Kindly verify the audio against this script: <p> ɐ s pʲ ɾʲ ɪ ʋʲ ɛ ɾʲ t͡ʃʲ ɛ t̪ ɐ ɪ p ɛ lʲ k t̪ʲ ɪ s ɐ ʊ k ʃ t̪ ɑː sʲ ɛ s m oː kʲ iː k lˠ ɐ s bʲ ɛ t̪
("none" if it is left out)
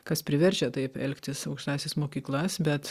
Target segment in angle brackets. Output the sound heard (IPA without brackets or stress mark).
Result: k